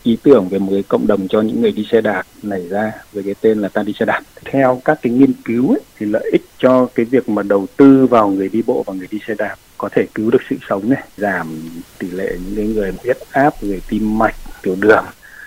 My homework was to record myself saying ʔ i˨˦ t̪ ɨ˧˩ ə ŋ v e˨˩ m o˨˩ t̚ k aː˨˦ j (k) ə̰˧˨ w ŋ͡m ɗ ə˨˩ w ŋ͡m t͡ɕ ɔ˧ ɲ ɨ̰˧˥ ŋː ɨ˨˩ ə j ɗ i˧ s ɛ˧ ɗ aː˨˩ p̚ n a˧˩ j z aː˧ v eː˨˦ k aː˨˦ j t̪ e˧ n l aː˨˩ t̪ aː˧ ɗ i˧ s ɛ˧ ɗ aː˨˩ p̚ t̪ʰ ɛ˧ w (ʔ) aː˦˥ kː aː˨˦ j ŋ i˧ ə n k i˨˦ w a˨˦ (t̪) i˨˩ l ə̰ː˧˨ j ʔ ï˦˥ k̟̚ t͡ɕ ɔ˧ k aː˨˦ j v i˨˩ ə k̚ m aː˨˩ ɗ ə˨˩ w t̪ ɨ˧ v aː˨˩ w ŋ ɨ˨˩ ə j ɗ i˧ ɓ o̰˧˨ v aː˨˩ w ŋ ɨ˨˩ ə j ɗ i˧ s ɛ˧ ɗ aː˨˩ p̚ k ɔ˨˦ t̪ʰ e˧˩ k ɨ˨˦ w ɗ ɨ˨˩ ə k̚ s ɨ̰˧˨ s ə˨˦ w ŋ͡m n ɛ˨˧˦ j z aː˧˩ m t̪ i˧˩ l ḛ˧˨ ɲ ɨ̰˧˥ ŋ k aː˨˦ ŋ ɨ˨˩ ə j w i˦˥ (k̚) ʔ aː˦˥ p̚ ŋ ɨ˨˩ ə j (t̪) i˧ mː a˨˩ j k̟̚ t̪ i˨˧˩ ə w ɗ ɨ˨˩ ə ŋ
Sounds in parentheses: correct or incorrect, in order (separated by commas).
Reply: correct, incorrect, incorrect, incorrect, correct